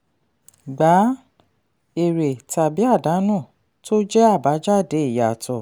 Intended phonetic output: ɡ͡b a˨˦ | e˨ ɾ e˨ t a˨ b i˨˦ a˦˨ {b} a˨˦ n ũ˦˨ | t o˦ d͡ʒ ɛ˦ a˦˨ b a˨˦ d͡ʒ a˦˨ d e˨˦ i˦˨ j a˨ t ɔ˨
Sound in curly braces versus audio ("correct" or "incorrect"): incorrect